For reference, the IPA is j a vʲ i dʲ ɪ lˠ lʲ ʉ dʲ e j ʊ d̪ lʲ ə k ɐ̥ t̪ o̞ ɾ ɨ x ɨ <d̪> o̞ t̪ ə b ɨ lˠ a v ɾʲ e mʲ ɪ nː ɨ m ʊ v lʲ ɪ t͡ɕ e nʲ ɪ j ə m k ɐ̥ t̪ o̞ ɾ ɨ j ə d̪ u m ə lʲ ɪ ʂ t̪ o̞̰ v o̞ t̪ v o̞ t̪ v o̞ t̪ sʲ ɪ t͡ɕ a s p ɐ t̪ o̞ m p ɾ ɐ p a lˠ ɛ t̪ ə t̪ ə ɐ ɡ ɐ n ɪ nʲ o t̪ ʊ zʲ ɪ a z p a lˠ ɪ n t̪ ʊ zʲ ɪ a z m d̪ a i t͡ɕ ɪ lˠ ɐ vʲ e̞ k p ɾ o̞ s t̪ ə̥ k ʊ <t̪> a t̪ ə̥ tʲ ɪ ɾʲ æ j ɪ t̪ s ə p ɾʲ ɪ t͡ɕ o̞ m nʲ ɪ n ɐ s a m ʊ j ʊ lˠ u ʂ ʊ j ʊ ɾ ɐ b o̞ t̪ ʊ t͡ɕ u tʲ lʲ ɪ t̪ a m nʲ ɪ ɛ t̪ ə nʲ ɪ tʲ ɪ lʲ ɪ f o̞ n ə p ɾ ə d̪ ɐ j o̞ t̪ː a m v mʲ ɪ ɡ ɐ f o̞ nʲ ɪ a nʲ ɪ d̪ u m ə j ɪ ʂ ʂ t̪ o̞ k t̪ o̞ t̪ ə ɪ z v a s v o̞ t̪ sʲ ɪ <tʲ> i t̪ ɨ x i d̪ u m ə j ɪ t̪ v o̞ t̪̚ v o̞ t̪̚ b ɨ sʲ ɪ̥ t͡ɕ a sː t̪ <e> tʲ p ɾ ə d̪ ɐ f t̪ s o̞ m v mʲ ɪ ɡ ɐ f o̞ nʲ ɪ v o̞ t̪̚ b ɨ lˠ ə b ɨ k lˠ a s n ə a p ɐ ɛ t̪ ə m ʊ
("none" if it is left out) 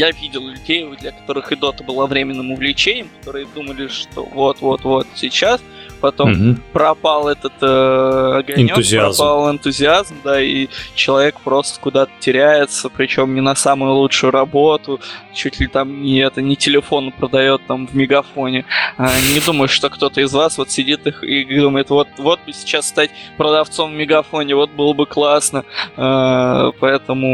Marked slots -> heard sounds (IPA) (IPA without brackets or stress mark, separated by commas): d̪, d̪, dʲ, a